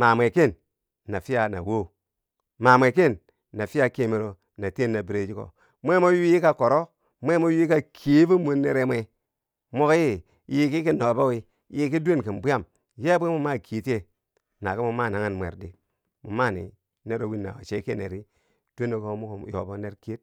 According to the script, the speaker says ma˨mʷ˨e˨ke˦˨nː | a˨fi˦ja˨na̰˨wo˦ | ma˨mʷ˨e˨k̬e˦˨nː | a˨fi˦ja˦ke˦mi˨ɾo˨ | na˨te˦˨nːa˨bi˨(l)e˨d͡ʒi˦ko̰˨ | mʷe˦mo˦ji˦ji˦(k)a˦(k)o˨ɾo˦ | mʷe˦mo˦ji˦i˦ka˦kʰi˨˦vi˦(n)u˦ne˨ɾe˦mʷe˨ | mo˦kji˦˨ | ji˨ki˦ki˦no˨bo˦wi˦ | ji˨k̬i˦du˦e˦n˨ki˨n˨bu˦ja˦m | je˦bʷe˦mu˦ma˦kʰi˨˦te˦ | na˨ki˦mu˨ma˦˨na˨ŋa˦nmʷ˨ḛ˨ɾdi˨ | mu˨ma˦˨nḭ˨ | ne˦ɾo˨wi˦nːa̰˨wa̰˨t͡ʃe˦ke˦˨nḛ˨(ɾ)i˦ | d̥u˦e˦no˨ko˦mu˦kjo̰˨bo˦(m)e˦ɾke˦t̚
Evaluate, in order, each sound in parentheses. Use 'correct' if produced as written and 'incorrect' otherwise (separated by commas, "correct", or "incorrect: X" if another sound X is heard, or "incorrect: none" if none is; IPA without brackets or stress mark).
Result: incorrect: ɾ, correct, correct, incorrect: m, correct, incorrect: n